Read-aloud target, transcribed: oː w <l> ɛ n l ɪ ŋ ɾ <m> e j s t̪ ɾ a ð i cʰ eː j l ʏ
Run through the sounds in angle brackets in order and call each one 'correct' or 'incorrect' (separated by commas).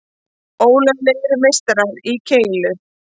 correct, correct